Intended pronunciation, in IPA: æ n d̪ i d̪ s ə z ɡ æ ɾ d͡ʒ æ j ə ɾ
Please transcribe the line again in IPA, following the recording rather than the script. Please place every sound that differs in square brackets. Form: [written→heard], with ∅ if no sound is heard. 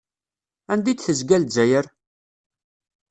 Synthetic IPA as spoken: æ n d̪ i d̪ [s→θ] ə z ɡ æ [ɾ→l] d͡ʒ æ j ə ɾ